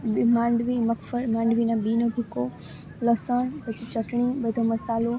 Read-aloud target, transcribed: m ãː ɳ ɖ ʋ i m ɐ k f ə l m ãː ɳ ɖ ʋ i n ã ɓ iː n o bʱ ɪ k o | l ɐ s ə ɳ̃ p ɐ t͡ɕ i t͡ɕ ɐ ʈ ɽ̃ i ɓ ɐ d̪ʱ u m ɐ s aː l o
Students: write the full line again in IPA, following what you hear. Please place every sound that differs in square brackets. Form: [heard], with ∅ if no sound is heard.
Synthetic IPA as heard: m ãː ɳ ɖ ʋ i m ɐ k f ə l m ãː ɳ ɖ ʋ i n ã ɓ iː n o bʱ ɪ k o | l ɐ s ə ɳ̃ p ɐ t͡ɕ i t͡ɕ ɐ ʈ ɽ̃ i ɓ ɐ d̪ʱ [o] m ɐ s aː l o